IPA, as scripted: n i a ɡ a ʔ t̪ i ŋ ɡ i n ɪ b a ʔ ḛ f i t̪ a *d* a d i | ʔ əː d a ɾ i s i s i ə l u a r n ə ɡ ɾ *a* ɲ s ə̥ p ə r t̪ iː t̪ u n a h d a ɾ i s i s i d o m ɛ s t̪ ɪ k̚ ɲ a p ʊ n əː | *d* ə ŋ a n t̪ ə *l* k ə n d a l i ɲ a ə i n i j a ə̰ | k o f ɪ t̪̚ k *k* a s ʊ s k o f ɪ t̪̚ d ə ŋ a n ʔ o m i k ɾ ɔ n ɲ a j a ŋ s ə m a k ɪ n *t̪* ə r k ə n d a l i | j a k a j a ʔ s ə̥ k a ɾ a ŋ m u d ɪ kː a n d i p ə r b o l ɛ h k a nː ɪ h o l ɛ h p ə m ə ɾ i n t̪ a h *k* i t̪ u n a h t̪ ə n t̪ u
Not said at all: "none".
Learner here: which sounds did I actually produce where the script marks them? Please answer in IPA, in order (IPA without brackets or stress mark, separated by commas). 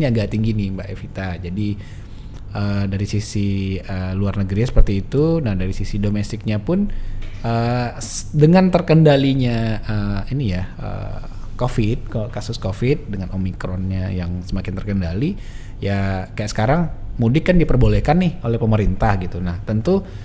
d͡ʒ, i, d, r, k, t̪, ɡ